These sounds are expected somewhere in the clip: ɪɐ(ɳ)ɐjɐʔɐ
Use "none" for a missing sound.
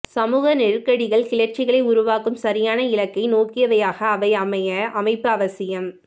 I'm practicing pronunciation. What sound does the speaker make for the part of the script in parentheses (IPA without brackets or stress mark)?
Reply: m